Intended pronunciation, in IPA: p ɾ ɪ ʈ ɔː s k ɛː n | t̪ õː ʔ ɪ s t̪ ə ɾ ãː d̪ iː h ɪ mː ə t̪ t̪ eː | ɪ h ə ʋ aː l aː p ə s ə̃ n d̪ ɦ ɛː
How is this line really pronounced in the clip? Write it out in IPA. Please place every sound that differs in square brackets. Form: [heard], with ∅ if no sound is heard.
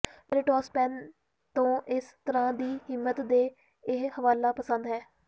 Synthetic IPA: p ɾ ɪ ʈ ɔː s [p] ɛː n | t̪ õː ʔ ɪ s t̪ ə ɾ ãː d̪ iː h ɪ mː ə t̪ [d̪] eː | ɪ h ə ʋ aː l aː p ə s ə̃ n d̪ ɦ ɛː